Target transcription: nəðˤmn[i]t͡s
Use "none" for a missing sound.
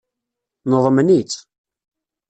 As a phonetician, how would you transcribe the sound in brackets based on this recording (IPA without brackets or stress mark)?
i